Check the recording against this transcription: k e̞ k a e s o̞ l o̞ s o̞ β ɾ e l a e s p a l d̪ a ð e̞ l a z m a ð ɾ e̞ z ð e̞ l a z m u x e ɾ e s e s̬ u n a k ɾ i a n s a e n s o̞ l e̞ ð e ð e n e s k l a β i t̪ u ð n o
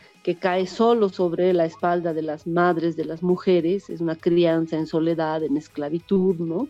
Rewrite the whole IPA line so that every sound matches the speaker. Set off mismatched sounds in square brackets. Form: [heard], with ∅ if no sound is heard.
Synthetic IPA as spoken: k e̞ k a e s o̞ l o̞ s o̞ β ɾ e l a e s p a l d̪ a ð e̞ l a z m a ð ɾ e̞ z ð e̞ l a z m u x e ɾ e s e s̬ u n a k ɾ i a n s a e n s o̞ l e̞ ð [a] ð e n e s k l a β i t̪ u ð n o